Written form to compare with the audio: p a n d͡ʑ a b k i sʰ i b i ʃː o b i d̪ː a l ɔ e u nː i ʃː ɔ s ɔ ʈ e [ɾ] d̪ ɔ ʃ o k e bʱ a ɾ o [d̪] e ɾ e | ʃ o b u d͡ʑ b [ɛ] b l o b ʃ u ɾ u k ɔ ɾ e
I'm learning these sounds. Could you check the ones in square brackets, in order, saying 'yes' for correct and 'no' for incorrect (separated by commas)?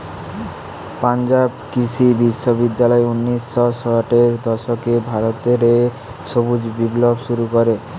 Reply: yes, no, no